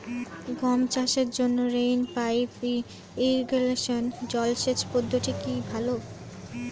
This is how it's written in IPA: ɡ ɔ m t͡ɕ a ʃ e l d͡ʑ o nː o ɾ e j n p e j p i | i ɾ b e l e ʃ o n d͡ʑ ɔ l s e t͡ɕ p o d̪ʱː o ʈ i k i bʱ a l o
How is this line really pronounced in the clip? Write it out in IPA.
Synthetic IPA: ɡ ɔ m t͡ɕ a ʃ e ɾ d͡ʑ o nː o ɾ e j n p a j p i | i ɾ ɡ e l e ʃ o n d͡ʑ ɔ l ʃ e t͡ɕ p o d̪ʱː o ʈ i k i bʱ a l o